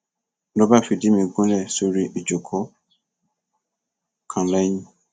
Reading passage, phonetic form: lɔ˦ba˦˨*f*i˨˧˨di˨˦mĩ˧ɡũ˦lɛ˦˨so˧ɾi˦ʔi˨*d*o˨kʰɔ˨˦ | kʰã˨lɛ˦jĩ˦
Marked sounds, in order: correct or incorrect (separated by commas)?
correct, incorrect